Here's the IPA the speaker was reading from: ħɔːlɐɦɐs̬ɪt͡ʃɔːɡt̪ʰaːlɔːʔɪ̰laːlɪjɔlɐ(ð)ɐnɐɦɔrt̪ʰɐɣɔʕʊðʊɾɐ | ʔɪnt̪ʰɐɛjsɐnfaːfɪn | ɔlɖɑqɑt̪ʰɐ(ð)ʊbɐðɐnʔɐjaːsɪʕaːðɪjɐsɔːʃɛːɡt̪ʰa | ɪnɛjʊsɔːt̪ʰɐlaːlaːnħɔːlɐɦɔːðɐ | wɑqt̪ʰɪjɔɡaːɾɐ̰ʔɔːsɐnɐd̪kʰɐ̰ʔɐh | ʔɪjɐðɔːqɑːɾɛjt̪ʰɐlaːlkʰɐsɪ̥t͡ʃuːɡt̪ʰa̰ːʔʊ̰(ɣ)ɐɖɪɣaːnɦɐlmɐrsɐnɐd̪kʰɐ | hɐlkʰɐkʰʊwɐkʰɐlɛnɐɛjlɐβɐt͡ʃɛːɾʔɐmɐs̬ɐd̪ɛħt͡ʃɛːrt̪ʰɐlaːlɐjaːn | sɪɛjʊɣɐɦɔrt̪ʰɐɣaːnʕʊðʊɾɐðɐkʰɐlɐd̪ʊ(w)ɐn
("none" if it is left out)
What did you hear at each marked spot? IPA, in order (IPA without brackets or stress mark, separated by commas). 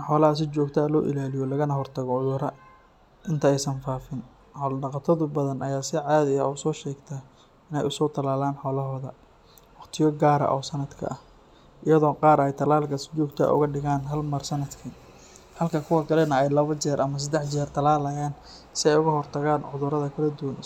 ɣ, ð, ɣ, w